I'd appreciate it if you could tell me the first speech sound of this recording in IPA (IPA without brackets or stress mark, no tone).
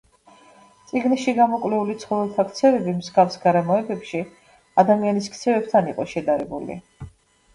t̪